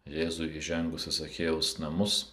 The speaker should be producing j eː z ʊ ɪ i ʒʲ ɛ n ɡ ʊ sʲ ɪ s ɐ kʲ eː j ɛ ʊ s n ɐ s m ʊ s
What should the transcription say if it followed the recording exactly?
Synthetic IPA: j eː z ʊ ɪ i ʒʲ ɛ ŋ ɡ ʊ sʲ ɪ s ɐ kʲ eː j ɛ ʊ s n ɐ m ʊ s